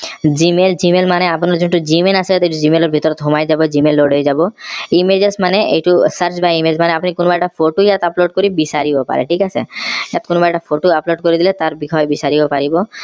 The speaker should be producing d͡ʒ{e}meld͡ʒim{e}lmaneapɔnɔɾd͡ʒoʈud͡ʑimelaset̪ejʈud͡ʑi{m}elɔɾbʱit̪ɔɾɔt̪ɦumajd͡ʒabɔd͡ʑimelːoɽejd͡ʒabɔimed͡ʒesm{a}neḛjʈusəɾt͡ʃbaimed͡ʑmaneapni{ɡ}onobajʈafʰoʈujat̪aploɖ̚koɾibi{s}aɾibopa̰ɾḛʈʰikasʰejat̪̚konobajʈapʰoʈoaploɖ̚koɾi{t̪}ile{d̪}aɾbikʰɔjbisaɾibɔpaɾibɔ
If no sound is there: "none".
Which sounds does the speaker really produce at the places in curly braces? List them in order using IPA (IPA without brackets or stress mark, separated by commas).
i, e, m, a, k, s, d̪, t̪